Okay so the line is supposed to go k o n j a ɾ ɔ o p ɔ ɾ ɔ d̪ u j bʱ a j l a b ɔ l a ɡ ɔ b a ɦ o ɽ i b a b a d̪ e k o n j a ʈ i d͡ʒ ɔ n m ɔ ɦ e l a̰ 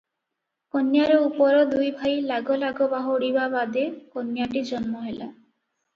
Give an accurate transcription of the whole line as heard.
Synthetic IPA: k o n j a ɾ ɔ u p ɔ ɾ ɔ d̪ u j bʱ a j l a ɡ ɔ l a ɡ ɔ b a ɦ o ɽ i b a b a d̪ e k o n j a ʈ i d͡ʒ ɔ n m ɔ ɦ e l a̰